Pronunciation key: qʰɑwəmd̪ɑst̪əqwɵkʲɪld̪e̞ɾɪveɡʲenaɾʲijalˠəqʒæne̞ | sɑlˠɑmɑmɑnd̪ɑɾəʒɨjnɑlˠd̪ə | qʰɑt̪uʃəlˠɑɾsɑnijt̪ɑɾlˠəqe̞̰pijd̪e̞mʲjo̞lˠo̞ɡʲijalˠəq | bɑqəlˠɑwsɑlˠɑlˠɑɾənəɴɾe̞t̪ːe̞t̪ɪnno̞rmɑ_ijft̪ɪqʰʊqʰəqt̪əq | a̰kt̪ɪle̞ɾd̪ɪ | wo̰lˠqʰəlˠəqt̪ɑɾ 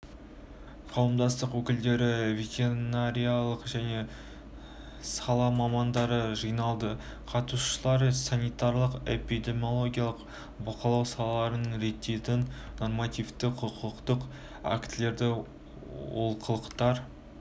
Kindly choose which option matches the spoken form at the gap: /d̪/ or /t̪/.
t̪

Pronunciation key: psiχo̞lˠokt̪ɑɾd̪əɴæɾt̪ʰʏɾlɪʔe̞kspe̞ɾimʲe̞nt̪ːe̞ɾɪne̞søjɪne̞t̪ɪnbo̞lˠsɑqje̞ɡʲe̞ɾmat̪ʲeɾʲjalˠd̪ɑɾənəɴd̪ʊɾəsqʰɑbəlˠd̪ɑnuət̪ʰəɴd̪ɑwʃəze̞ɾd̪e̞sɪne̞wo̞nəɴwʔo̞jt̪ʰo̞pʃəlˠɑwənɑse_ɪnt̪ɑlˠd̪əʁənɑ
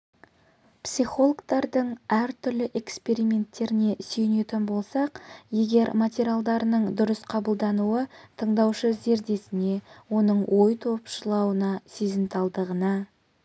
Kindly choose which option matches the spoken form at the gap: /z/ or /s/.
z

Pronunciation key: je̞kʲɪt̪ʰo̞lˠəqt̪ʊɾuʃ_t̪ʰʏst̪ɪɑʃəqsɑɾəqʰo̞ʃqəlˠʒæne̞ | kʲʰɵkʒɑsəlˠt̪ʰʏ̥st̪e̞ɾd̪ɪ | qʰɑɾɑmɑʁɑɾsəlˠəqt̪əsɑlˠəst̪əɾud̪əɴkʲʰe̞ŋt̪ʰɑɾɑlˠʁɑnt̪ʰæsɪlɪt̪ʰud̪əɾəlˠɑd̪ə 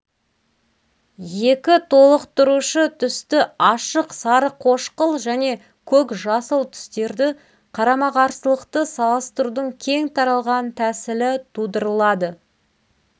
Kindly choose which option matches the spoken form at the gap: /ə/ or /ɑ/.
ə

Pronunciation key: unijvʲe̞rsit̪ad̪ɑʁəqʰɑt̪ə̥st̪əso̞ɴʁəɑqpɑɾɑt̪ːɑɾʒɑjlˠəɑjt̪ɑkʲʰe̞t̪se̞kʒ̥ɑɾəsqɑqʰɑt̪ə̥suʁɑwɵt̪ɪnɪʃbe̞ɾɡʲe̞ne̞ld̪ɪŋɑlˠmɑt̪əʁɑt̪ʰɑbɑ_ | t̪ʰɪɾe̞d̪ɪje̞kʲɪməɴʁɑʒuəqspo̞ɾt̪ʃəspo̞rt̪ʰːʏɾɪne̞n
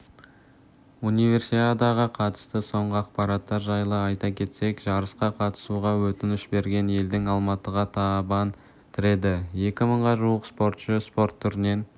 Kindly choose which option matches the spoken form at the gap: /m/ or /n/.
n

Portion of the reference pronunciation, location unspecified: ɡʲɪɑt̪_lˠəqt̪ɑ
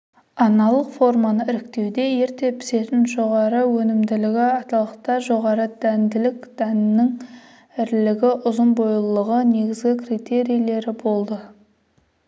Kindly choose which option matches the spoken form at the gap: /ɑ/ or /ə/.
ɑ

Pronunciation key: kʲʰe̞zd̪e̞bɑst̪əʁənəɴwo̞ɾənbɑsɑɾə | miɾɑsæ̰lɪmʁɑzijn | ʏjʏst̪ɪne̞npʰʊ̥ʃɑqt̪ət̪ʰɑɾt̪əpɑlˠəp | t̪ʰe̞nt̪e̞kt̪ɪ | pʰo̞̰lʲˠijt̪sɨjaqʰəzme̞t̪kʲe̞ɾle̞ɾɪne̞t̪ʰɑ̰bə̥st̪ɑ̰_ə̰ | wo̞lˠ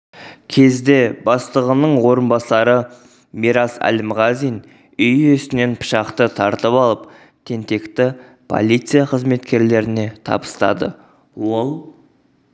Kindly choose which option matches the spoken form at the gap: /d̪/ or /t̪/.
d̪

